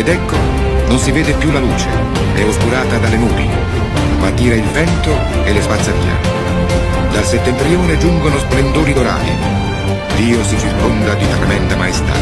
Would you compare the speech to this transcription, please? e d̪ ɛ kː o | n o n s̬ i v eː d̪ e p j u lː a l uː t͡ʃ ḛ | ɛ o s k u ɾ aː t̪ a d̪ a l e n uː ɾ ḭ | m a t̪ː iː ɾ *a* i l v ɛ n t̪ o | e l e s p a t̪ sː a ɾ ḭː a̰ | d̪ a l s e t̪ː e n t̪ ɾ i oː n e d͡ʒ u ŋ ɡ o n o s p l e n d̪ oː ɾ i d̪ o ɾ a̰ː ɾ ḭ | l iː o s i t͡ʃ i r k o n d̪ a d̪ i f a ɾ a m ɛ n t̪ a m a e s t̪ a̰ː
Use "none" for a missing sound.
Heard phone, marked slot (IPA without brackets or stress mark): a